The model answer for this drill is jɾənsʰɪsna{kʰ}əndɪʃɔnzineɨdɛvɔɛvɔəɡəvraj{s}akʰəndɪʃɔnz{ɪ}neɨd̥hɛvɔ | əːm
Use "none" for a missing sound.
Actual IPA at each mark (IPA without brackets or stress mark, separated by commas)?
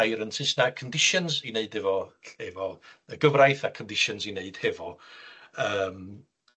kʰ, θ, i